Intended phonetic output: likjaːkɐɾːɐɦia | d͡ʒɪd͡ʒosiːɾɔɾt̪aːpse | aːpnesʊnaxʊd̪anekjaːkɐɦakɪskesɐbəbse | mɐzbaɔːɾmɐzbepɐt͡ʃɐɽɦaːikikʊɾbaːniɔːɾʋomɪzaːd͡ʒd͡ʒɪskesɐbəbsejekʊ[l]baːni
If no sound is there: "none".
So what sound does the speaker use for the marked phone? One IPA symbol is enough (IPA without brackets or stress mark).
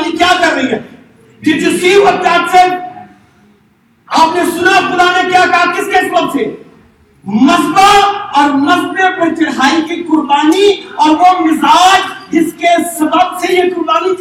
ɾ